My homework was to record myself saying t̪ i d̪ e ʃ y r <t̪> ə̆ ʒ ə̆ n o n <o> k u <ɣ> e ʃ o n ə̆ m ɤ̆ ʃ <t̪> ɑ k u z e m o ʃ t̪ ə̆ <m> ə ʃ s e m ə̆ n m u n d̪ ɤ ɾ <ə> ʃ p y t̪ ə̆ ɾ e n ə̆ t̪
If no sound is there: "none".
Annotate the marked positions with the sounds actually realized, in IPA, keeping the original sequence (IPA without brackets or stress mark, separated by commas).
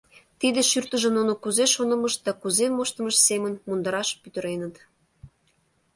t̪, o, z, d̪, m, ɑ